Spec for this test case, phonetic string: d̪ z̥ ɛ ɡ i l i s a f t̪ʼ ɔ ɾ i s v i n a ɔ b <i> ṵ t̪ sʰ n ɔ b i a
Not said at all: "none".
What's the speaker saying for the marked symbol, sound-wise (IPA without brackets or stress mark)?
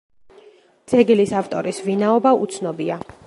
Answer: a